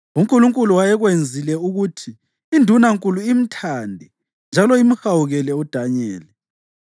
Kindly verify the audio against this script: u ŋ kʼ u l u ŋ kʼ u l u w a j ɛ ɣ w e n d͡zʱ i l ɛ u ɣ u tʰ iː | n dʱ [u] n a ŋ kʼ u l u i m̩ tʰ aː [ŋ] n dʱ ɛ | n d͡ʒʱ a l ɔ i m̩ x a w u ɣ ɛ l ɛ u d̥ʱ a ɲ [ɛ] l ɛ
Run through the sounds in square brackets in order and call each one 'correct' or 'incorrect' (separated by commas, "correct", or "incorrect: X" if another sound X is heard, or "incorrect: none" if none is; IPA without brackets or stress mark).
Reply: correct, incorrect: none, incorrect: ɛː